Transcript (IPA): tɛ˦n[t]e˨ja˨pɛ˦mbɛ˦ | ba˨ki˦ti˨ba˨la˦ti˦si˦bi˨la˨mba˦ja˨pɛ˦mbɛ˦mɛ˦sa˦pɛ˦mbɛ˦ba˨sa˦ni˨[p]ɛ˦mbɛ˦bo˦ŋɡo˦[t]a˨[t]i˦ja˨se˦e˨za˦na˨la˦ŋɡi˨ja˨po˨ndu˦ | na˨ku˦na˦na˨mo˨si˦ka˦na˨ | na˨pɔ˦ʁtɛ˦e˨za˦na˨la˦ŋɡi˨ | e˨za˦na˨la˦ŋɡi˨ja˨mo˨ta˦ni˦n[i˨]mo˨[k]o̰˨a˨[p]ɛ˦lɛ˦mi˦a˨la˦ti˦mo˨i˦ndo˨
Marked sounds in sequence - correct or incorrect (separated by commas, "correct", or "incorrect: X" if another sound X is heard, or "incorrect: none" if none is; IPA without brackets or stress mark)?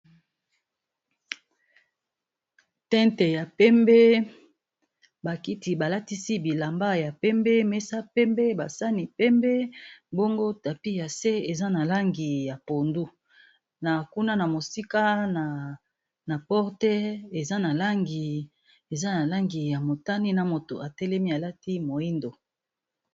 correct, correct, correct, incorrect: p, incorrect: a˨, incorrect: t, incorrect: t